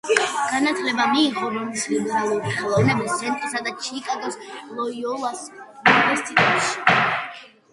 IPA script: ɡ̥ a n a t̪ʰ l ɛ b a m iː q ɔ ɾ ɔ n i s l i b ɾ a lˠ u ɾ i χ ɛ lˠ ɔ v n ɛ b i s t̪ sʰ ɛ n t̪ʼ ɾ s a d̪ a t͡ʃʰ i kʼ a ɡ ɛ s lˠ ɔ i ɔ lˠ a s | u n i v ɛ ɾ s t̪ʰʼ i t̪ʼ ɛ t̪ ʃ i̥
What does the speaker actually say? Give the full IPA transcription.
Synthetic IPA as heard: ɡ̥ a n a t̪ʰ l ɛ b a m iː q ɔ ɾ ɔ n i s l i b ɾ a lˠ u ɾ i χ ɛ lˠ ɔ v n ɛ b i s t̪ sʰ ɛ n t̪ʼ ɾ s a d̪ a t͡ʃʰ i kʼ a ɡ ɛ s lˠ ɔ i ɔ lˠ a s | u n i v ɛ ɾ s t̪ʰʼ i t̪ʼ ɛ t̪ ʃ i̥

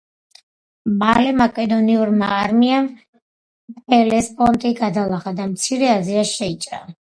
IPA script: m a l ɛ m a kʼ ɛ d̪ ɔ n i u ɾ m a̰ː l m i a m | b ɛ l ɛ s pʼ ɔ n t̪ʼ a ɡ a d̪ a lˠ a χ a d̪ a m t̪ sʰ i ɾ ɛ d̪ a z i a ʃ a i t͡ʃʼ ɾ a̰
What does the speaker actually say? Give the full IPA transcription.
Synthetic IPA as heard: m a l ɛ m a kʼ ɛ d̪ ɔ n i u ɾ m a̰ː ɾ m i a m | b ɛ l ɛ s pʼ ɔ n t̪ʼ i ɡ a d̪ a lˠ a χ a d̪ a m t̪ sʰ i ɾ ɛ a z i a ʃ ɛ i t͡ʃʼ ɾ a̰

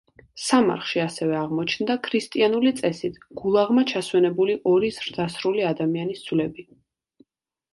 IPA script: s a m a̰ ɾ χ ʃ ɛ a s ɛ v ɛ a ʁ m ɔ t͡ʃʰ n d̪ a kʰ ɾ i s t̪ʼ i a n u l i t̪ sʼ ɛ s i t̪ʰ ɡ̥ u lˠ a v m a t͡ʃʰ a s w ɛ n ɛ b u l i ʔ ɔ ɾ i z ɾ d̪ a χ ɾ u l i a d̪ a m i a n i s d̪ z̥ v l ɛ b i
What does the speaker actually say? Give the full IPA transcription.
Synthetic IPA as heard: s a m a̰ ɾ χ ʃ i a s ɛ v ɛ a ʁ m ɔ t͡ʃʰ n d̪ a kʰ ɾ i s t̪ʼ i a n u l i t̪ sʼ ɛ s i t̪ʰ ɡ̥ u lˠ a ʁ m a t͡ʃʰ a s w ɛ n ɛ b u l i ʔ ɔ ɾ i z ɾ d̪ a s ɾ u l i a d̪ a m i a n i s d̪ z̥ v l ɛ b i

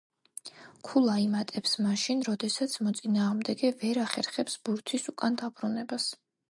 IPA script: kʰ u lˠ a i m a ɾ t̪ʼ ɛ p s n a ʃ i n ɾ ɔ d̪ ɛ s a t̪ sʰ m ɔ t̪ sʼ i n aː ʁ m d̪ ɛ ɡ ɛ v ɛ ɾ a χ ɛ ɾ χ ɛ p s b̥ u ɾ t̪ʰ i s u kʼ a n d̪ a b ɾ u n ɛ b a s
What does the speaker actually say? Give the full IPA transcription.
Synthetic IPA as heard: kʰ u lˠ a i m a t̪ʼ ɛ p s m a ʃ i n ɾ ɔ d̪ ɛ s a t̪ sʰ m ɔ t̪ sʼ i n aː ʁ m d̪ ɛ ɡ ɛ v ɛ ɾ a χ ɛ ɾ χ ɛ p s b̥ u ɾ t̪ʰ i s u kʼ a n d̪ a b ɾ u n ɛ b a s

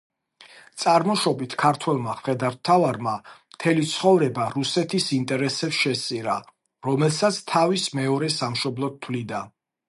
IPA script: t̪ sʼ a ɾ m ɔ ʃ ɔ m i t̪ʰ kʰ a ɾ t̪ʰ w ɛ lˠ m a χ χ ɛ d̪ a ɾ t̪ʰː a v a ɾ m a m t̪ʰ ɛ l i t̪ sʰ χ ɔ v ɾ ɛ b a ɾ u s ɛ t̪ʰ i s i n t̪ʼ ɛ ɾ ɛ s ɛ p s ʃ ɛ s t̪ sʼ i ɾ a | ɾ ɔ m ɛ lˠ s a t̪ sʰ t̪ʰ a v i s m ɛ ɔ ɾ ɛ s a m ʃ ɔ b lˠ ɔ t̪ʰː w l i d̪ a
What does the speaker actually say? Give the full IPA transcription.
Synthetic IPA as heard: t̪ sʼ a ɾ m ɔ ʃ ɔ b i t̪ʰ kʰ a ɾ t̪ʰ w ɛ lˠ m a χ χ ɛ d̪ a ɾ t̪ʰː a v a ɾ m a m t̪ʰ ɛ l i t̪ sʰ χ ɔ v ɾ ɛ b a ɾ u s ɛ t̪ʰ i s i n t̪ʼ ɛ ɾ ɛ s ɛ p s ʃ ɛ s t̪ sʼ i ɾ a | ɾ ɔ m ɛ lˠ s a t̪ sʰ t̪ʰ a v i s m ɛ ɔ ɾ ɛ s a m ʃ ɔ b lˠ ɔ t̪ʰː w l i d̪ a

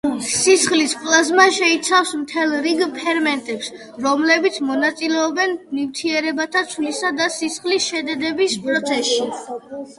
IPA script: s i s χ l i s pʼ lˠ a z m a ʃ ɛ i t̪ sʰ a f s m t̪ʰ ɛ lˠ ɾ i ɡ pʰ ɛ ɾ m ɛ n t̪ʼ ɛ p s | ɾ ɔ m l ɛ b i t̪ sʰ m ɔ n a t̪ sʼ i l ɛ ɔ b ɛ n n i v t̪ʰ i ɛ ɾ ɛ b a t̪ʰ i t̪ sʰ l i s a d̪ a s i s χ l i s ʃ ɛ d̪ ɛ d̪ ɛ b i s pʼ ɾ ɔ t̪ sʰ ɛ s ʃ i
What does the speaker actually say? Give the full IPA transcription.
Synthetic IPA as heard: s i s χ l i s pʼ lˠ a z m a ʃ ɛ i t̪ sʰ a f s m t̪ʰ ɛ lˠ ɾ i ɡ pʰ ɛ ɾ m ɛ n t̪ʼ ɛ p s | ɾ ɔ m l ɛ b i t̪ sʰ m ɔ n a t̪ sʼ i l ɛ ɔ b ɛ n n i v t̪ʰ i ɛ ɾ ɛ b a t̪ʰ a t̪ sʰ l i s a d̪ a s i s χ l i s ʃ ɛ d̪ ɛ d̪ ɛ b i s pʼ ɾ ɔ t̪ sʰ ɛ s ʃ i

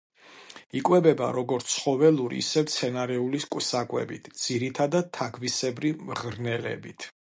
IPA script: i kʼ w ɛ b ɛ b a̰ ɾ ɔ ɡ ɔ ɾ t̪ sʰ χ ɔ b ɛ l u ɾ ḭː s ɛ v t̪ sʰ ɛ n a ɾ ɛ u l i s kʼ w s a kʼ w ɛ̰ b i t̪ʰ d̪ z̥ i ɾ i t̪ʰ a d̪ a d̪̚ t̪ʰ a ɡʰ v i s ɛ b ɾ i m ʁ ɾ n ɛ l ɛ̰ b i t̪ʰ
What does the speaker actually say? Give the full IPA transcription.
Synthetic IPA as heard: i kʼ w ɛ b ɛ b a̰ ɾ ɔ ɡ ɔ ɾ t̪ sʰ χ ɔ v ɛ l u ɾ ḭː s ɛ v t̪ sʰ ɛ n a ɾ ɛ u l i s kʼ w s a kʼ w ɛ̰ b i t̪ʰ d̪ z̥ i ɾ i t̪ʰ a d̪ a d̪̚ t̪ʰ a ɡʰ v i s ɛ b ɾ i m ʁ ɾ n ɛ l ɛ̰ b i t̪ʰ

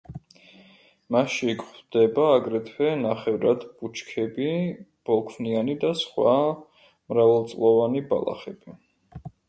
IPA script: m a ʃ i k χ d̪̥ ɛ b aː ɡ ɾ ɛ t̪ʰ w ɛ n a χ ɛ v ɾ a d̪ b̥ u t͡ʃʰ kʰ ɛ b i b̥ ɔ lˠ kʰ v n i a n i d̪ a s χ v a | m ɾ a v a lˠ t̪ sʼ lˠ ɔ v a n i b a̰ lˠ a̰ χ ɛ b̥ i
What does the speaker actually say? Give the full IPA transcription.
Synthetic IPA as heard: m a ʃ i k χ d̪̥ ɛ b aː ɡ ɾ ɛ t̪ʰ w ɛ n a χ ɛ v ɾ a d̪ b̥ u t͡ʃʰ kʰ ɛ b i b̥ ɔ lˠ kʰ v n i a n i d̪ a s χ w a | m ɾ a v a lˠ t̪ sʼ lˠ ɔ v a n i b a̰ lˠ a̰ χ ɛ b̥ i

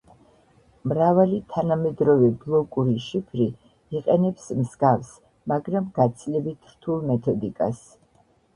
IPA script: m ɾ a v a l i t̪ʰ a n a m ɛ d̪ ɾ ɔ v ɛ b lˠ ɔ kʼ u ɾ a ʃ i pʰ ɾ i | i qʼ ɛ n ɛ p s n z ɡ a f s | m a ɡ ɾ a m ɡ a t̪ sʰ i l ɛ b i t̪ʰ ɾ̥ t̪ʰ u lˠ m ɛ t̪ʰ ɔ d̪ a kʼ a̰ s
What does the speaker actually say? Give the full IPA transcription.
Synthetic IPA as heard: m ɾ a v a l i t̪ʰ a n a m ɛ d̪ ɾ ɔ v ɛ b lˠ ɔ kʼ u ɾ i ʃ i pʰ ɾ i | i qʼ ɛ n ɛ p s m z ɡ a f s | m a ɡ ɾ a m ɡ a t̪ sʰ i l ɛ b i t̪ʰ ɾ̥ t̪ʰ u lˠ m ɛ t̪ʰ ɔ d̪ i kʼ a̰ s

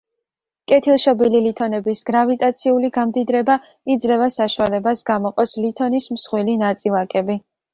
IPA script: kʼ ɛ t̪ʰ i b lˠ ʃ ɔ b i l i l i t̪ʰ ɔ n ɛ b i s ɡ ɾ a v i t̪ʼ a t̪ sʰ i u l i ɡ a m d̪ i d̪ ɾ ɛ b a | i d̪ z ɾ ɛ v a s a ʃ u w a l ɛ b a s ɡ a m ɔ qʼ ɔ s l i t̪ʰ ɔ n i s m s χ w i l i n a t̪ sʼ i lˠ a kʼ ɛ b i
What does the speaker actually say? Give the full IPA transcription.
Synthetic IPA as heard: kʼ ɛ t̪ʰ i lˠ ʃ ɔ b i l i l i t̪ʰ ɔ n ɛ b i s ɡ ɾ a v i t̪ʼ a t̪ sʰ i u l i ɡ a m d̪ i d̪ ɾ ɛ b a | i d̪ z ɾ ɛ v a s a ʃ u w a l ɛ b a s ɡ a m ɔ qʼ ɔ s l i t̪ʰ ɔ n i s m s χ w i l i n a t̪ sʼ i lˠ a kʼ ɛ b i

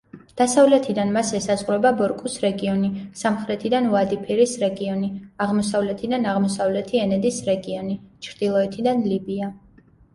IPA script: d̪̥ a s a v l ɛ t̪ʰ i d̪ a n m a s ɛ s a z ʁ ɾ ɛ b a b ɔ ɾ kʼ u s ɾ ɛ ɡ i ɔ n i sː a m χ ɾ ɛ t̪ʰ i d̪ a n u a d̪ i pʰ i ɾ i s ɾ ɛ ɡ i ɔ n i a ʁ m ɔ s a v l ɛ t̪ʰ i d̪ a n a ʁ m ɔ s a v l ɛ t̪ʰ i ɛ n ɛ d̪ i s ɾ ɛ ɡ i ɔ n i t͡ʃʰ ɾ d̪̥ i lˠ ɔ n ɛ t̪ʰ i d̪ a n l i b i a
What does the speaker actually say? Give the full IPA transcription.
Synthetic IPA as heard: d̪̥ a s a v l ɛ t̪ʰ i d̪ a n m a s ɛ s a z ʁ ɾ ɛ b a b ɔ ɾ kʼ u s ɾ ɛ ɡ i ɔ n i s a m χ ɾ ɛ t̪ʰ i d̪ a n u a d̪ i pʰ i ɾ i s ɾ ɛ ɡ i ɔ n i a ʁ m ɔ s a v l ɛ t̪ʰ i d̪ a n a ʁ m ɔ s a v l ɛ t̪ʰ i ɛ n ɛ d̪ i s ɾ ɛ ɡ i ɔ n i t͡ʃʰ ɾ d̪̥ i lˠ ɔ ɛ t̪ʰ i d̪ a n l i b i a

